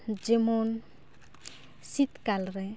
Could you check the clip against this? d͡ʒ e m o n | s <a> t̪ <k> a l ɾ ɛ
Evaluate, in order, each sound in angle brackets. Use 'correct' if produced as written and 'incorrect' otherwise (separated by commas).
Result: incorrect, correct